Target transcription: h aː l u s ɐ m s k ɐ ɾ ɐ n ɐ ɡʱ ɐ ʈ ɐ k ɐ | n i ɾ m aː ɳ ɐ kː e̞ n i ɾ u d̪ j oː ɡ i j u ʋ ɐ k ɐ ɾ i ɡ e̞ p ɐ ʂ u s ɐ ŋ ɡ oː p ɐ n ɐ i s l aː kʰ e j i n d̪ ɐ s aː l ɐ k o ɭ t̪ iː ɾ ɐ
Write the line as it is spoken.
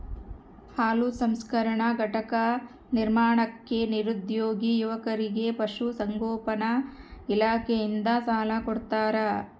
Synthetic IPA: h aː l u s ɐ m s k ɐ ɾ ɐ ɳ ɐ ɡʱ ɐ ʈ ɐ k ɐ | n i ɾ m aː ɳ ɐ kː e̞ n i ɾ u d̪ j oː ɡ i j u ʋ ɐ k ɐ ɾ i ɡ e̞ p ɐ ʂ u s ɐ ŋ ɡ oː p ɐ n ɐ i l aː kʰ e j i n d̪ ɐ s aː l ɐ k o ɽ t̪ aː ɾ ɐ